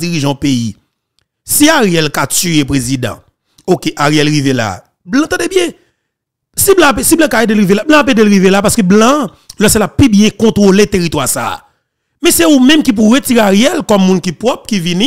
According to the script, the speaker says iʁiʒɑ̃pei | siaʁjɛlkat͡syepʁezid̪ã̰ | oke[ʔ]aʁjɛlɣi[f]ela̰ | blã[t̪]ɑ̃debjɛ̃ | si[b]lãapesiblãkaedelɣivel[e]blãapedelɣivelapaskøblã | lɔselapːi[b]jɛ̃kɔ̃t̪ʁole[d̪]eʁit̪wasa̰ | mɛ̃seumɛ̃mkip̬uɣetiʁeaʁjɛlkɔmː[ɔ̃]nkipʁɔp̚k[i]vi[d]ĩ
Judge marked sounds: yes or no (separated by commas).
yes, no, yes, yes, no, yes, no, no, yes, no